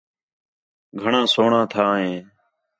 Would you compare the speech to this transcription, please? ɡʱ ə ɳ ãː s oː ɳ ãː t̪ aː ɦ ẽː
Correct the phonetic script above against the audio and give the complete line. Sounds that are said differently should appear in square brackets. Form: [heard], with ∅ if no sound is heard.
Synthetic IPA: ɡʱ ə ɳ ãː s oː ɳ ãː [t̪ʰ] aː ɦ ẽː